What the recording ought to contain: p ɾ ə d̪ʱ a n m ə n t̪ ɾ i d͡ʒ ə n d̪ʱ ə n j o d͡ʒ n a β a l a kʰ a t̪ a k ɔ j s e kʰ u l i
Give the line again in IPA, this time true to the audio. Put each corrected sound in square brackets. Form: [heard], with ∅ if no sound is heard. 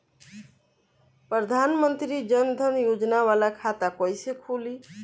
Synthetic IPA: p ɾ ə d̪ʱ a n m ə n t̪ ɾ i d͡ʒ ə n d̪ʱ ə n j o d͡ʒ n a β a l a kʰ a t̪ a k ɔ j s e kʰ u l i